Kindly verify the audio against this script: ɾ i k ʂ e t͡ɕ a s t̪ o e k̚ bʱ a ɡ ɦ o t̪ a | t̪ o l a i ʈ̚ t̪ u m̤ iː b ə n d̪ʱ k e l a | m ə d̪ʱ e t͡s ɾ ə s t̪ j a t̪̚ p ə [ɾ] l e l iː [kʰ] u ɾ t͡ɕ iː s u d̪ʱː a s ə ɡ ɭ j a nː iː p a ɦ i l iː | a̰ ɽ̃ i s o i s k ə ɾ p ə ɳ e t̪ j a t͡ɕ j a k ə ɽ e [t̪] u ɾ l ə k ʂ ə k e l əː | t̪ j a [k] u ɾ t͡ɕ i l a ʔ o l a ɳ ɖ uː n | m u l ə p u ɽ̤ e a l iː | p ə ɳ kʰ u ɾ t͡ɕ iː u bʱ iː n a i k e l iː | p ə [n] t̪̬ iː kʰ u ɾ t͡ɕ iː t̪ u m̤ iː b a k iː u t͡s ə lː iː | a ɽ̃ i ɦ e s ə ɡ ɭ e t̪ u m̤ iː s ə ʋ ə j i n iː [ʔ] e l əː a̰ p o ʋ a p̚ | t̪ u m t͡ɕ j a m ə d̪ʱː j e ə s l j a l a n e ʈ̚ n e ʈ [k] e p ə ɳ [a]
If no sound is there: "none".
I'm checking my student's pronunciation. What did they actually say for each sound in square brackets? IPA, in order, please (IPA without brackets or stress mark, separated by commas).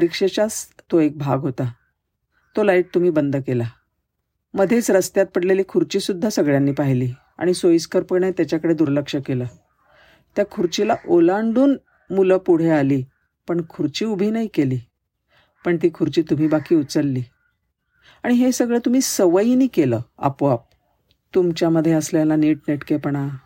ɽ, kʰ, d̪, kʰ, ɳ, k, k, a